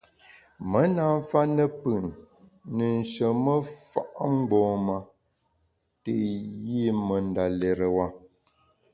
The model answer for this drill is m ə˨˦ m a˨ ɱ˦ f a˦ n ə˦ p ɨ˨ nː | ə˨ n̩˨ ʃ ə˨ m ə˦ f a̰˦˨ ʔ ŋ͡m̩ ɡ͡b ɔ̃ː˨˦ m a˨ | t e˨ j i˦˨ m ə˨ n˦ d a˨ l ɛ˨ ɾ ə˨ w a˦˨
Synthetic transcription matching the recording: m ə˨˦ n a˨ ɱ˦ f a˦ n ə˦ p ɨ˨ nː | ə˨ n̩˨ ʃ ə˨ m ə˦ f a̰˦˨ ʔ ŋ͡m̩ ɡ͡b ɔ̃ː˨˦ m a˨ | t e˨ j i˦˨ m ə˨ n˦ d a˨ l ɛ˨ ɾ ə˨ w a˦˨